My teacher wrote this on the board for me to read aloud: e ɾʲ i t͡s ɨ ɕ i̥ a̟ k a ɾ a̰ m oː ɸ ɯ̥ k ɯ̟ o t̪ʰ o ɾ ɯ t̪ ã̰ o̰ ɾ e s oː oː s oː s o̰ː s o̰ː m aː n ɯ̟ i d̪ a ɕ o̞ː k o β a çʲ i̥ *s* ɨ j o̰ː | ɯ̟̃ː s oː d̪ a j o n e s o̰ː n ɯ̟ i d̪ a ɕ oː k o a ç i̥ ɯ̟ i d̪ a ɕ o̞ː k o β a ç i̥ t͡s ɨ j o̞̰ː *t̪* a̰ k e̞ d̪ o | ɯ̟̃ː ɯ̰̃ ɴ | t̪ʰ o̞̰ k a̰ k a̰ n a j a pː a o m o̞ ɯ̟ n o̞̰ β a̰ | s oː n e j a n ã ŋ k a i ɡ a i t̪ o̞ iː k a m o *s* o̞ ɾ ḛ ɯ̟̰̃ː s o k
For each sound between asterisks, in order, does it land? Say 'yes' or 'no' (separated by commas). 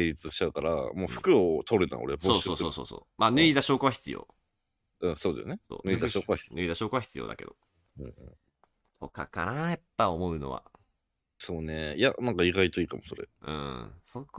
no, no, yes